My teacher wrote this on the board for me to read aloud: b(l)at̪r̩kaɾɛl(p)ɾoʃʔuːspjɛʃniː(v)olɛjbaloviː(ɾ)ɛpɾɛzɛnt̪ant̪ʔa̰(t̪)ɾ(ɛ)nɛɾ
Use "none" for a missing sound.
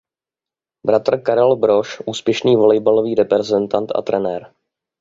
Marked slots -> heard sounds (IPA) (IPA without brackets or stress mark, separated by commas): ɾ, b, v, ɾ, t̪, ɛ